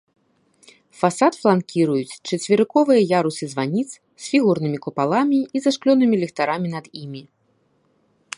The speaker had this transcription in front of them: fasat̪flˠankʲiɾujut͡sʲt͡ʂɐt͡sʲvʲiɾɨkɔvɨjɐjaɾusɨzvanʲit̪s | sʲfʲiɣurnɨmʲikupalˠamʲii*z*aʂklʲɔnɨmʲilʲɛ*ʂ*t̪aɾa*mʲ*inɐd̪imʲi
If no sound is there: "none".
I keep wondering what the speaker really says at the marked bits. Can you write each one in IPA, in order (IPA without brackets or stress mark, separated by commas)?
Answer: z, x, mʲ